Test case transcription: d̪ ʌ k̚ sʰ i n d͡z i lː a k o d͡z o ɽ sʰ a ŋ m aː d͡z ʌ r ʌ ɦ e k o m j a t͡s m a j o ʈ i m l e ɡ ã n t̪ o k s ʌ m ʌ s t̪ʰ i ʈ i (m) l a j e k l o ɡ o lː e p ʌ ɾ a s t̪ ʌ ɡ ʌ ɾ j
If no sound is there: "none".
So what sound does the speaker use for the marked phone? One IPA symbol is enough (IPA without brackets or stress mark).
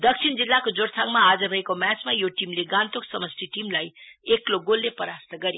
m